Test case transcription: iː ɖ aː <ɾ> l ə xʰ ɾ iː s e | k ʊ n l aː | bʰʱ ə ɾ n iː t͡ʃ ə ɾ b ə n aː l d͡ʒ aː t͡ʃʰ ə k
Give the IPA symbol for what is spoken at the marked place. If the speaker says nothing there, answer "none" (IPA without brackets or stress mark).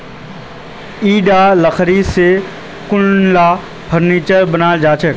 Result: none